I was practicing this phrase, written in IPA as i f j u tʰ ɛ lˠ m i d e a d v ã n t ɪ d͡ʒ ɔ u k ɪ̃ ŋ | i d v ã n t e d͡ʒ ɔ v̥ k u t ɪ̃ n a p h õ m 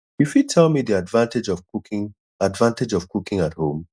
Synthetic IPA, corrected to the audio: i f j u tʰ ɛ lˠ m i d i a d v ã n t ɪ d͡ʒ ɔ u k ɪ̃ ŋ | a d v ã n t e d͡ʒ ɔ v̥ k u k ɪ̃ ŋ a t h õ m